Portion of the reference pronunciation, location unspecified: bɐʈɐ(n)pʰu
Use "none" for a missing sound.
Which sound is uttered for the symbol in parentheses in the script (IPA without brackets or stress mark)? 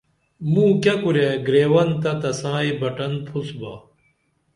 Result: n